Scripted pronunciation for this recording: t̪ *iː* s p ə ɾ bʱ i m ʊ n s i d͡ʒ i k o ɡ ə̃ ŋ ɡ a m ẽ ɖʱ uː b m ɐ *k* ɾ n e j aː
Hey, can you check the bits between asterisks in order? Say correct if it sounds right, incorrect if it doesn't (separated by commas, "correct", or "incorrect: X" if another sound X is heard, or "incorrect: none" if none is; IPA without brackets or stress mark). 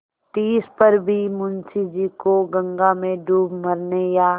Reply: correct, incorrect: none